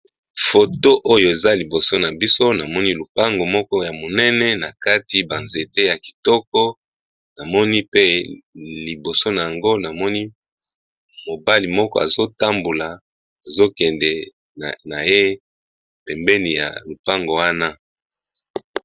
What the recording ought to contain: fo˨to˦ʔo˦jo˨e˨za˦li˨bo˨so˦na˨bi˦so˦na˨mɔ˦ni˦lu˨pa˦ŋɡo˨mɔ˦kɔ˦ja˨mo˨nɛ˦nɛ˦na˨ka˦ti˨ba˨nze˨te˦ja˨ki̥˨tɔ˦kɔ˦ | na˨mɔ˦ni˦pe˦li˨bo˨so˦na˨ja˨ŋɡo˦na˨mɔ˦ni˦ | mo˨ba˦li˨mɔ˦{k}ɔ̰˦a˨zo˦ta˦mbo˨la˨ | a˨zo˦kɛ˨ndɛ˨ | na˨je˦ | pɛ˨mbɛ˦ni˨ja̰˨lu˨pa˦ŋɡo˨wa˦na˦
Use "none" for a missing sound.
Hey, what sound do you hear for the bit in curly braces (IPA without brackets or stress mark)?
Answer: k